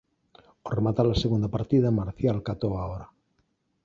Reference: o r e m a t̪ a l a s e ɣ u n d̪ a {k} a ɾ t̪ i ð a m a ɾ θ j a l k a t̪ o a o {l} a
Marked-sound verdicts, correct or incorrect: incorrect: p, incorrect: ɾ

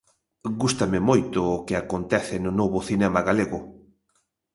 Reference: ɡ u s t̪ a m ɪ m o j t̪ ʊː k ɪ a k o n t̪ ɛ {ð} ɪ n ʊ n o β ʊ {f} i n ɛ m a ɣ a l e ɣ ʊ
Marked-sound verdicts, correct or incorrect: incorrect: θ, incorrect: θ

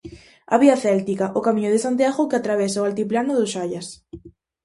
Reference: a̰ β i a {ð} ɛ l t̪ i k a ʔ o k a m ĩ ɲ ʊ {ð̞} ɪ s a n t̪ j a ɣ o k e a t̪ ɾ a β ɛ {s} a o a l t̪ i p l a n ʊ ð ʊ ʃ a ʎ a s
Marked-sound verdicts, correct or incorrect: incorrect: θ, correct, correct

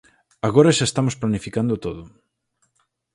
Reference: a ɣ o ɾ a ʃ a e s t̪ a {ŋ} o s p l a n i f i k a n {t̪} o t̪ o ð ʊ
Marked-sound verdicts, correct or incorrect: incorrect: m, incorrect: d̪

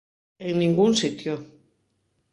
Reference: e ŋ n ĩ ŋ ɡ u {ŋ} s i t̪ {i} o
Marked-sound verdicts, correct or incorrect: incorrect: n, incorrect: j

